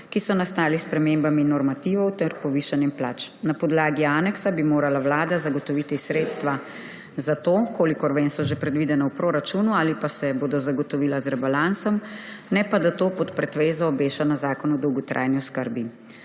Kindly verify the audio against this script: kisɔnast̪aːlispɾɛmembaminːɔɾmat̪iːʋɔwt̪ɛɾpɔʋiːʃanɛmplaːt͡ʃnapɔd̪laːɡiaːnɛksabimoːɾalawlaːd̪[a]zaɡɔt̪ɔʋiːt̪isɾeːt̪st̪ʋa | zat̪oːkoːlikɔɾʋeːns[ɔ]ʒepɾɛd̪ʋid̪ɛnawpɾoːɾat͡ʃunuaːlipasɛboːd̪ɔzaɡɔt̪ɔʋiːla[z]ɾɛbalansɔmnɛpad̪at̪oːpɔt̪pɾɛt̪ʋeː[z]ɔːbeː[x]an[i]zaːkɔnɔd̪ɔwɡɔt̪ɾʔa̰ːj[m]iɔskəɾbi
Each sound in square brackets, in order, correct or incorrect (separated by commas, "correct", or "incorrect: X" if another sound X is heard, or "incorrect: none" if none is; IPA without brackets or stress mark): correct, correct, correct, correct, incorrect: ʃ, incorrect: a, incorrect: n